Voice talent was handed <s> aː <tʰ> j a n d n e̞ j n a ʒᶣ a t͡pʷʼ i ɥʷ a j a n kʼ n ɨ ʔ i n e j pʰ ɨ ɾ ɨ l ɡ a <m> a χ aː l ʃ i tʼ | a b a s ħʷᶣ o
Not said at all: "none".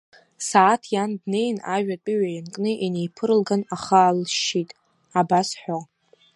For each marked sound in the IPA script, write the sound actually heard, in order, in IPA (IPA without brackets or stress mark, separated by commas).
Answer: s, tʰ, n